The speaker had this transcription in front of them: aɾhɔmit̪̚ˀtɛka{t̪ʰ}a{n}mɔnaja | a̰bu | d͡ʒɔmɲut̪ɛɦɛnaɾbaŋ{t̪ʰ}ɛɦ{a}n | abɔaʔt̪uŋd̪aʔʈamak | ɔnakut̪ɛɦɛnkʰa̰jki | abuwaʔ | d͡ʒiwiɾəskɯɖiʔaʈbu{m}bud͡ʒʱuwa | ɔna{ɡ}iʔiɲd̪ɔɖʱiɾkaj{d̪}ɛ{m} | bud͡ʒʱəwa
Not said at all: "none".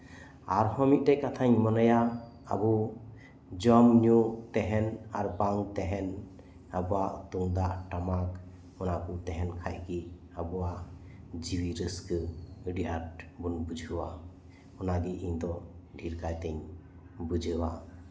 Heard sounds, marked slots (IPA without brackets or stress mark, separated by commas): t̪ʰ, ɲ, t̪, ɛ, n, ɡ, t̪, ɲ